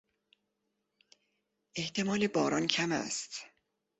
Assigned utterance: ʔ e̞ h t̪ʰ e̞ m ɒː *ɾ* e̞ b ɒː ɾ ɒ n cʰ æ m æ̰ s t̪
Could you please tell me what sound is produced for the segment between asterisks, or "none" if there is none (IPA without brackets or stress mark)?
l